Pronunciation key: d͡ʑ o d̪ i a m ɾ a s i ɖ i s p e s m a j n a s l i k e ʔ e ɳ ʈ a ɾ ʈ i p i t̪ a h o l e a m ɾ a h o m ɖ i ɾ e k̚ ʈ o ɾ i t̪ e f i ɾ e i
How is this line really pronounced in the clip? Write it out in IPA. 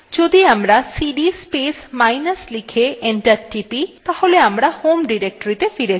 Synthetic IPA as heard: d͡ʑ o d̪ i a m ɾ a s i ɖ i s p e s m a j n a s l i kʰ e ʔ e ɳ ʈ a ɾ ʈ i p i t̪ a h o l e a m ɾ a h o m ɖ i ɾ e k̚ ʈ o ɾ i t̪ e f i ɾ e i